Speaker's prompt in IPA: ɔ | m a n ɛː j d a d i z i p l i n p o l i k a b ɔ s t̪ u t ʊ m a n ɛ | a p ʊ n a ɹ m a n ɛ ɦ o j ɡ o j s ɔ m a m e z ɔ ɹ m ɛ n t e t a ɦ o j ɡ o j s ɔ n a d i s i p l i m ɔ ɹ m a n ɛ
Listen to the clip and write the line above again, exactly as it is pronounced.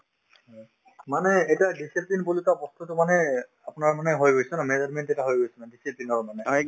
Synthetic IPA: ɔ | m a n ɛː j t a d i s i p l i n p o l i k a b ɔ s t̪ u t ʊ m a n ɛ | a p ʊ n a ɹ m a n ɛ ɦ o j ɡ o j s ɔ n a m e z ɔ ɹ m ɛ n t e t a ɦ o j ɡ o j s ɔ n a d i s i p l i n ɔ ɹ m a n ɛ